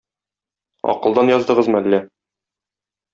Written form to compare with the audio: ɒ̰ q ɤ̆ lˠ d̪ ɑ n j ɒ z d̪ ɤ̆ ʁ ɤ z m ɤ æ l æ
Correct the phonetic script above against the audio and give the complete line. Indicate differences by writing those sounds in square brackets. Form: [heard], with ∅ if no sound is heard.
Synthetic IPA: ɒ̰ q ɤ̆ lˠ d̪ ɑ n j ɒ z d̪ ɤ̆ ʁ ɤ z m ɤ æ [lː] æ